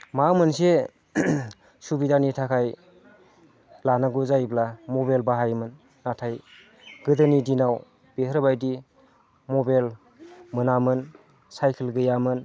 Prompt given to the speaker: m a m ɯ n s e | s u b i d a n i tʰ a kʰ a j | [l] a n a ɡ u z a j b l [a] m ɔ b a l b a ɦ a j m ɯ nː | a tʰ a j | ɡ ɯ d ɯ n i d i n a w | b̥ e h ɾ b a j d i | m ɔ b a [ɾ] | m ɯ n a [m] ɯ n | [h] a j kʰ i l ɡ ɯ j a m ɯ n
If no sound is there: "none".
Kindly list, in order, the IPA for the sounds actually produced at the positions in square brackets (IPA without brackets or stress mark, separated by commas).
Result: l, a, l, m, s